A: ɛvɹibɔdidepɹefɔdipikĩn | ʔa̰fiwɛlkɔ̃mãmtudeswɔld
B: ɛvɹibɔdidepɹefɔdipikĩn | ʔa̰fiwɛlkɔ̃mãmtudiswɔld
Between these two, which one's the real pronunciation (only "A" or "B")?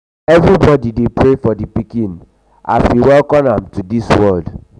B